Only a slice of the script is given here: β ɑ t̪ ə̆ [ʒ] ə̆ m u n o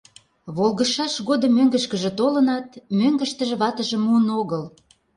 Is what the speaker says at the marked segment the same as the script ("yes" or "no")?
yes